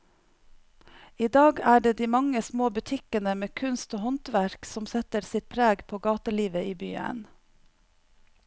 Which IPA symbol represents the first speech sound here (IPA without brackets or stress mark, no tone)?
iː